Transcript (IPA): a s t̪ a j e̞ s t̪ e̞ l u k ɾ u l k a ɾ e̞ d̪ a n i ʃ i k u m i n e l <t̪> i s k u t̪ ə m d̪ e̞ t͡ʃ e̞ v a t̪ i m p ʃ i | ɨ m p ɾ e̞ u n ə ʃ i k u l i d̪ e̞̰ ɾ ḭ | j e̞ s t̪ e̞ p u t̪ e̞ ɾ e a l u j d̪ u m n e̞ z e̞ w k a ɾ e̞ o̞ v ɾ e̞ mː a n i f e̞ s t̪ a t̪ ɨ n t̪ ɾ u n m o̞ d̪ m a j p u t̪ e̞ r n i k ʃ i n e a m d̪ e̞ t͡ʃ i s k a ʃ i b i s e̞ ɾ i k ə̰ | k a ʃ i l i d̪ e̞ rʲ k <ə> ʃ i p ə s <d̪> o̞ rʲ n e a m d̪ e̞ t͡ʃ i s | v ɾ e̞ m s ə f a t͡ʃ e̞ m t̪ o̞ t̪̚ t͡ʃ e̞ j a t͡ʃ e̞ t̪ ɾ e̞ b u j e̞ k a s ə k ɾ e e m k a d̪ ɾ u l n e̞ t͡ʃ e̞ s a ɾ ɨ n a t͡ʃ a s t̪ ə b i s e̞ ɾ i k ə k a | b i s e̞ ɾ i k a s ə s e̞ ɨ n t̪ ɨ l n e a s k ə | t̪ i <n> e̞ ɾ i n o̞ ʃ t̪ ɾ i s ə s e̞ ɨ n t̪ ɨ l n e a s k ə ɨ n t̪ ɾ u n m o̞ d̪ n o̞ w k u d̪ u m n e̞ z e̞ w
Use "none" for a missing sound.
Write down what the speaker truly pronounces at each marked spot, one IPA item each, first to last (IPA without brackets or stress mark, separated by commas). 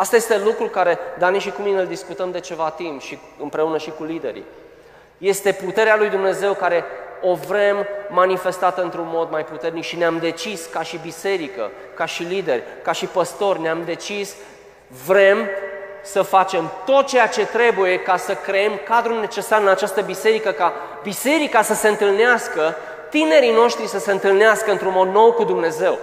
d̪, a, t̪, n